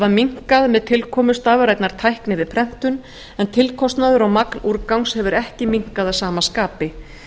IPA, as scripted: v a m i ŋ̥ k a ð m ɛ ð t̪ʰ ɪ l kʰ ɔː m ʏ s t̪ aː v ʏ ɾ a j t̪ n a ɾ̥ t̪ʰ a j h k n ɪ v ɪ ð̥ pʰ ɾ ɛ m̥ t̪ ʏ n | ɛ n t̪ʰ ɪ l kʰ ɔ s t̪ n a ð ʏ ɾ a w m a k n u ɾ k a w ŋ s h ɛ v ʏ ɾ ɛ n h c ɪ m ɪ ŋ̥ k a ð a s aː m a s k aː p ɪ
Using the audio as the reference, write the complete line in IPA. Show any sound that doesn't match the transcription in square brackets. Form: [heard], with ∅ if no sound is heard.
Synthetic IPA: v a m i ŋ̥ k a ð m ɛ ð t̪ʰ ɪ l kʰ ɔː m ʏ s t̪ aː v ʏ ɾ a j t̪ n a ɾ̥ t̪ʰ a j h k n ɪ v ɪ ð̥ pʰ ɾ ɛ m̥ t̪ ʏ n | ɛ n t̪ʰ ɪ l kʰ ɔ s t̪ n a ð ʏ ɾ a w m a k n u ɾ k a w ŋ s h ɛ v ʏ ɾ ɛ [∅] h c ɪ m [i] ŋ̥ k a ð a s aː m a s k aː p ɪ